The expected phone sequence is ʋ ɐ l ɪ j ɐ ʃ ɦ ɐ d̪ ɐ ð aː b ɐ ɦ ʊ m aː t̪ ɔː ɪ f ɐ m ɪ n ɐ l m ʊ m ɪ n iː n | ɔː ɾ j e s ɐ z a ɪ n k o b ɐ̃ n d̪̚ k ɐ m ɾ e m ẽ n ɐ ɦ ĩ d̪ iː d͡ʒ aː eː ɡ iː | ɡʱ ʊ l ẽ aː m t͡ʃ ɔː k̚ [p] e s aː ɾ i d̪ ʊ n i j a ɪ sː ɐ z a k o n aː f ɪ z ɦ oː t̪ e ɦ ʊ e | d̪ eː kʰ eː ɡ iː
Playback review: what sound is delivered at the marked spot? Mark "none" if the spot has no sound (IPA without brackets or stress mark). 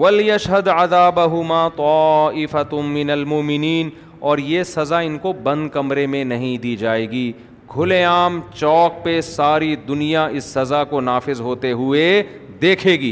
p